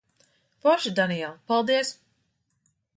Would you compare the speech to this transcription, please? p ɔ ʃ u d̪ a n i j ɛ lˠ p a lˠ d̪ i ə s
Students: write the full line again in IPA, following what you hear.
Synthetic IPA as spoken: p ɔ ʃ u d̪ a n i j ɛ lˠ p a lˠ d̪ i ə s